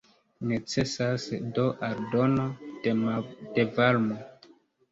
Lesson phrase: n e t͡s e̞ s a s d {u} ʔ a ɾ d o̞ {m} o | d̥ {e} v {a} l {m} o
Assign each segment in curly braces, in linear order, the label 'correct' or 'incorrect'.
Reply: incorrect, incorrect, correct, correct, correct

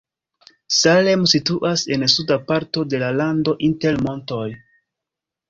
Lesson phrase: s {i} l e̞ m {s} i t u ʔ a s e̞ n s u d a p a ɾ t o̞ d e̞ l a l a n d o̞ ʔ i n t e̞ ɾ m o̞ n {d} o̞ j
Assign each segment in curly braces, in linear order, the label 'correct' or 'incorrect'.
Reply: incorrect, correct, incorrect

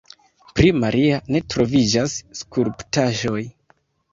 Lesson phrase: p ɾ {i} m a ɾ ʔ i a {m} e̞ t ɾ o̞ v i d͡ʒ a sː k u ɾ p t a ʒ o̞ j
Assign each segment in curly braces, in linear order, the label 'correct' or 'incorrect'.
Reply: correct, incorrect

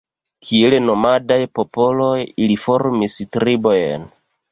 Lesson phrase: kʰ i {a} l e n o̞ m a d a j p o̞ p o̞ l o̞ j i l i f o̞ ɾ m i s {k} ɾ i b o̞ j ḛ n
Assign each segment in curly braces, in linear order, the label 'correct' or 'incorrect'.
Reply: incorrect, incorrect

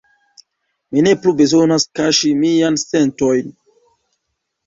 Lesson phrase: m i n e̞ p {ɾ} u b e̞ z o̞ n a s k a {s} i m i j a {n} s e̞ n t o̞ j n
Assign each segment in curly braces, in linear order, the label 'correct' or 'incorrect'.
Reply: incorrect, incorrect, correct

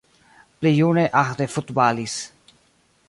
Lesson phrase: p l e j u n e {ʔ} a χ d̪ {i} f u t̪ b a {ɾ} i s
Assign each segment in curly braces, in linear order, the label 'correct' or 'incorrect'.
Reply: correct, incorrect, incorrect

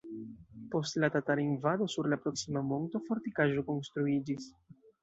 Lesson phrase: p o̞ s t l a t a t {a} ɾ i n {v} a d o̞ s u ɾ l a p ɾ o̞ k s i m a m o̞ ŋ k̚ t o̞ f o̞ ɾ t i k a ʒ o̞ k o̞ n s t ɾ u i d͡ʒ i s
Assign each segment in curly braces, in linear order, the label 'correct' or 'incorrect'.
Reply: correct, correct

